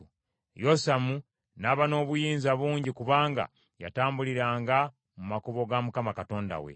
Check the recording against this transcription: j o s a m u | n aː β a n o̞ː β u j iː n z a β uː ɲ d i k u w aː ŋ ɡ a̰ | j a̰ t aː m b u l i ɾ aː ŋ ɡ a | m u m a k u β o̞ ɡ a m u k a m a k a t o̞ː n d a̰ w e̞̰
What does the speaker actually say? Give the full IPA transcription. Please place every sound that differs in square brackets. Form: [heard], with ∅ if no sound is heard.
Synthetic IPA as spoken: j o s a m u | n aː β a n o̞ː β u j iː n z a β uː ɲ [ɟ] i k u [β] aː ŋ ɡ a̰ | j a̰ t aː m b u l i ɾ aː ŋ ɡ a | m u m a k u β o̞ ɡ a m u k a m a k a t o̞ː n d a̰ w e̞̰